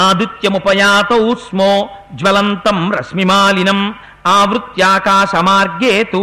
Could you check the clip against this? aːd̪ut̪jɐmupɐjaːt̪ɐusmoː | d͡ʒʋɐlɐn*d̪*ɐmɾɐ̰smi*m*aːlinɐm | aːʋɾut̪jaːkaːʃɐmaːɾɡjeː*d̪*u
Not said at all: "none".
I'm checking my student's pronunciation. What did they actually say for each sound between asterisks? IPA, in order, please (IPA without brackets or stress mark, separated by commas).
t̪, m, t̪